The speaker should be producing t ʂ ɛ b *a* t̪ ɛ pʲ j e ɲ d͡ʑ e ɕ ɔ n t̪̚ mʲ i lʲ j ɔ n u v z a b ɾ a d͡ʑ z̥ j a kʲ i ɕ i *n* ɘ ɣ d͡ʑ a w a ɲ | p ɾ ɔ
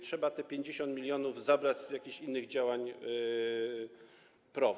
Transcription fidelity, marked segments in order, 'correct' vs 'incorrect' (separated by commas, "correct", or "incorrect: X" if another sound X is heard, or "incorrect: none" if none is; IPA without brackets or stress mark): correct, incorrect: nː